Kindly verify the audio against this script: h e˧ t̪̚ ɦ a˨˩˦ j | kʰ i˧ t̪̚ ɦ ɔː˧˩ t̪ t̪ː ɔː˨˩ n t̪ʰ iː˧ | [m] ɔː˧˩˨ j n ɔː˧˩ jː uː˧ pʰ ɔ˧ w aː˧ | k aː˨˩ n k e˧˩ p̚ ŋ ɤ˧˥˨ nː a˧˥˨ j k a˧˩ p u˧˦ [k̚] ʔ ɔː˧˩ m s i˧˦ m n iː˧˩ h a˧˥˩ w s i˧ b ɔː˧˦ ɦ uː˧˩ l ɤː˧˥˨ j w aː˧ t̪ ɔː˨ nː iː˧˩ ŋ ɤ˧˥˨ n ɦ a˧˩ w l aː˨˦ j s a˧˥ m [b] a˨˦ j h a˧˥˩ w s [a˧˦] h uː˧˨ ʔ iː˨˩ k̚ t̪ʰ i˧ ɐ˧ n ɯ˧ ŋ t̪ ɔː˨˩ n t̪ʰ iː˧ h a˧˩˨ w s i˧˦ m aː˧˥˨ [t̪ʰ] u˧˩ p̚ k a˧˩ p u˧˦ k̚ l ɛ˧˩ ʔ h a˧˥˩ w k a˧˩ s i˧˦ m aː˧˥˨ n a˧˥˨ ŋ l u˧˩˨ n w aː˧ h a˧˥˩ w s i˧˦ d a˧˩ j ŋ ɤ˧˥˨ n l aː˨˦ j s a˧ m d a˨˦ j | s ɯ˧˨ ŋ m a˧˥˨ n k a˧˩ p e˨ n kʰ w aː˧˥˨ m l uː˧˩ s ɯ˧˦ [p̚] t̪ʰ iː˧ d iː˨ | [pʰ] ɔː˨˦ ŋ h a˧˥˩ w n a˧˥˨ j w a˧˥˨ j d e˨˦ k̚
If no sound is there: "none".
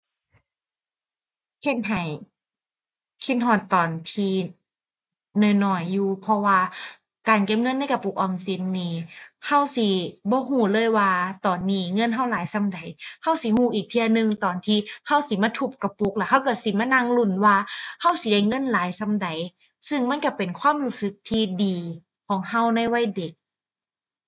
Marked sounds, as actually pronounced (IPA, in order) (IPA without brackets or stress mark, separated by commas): n, k̚, d, i˧˦, t̪ʰ, k̚, kʰ